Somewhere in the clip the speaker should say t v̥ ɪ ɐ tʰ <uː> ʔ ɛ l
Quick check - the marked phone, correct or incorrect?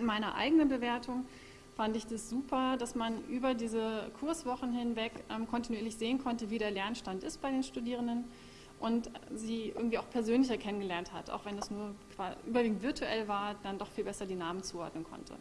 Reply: incorrect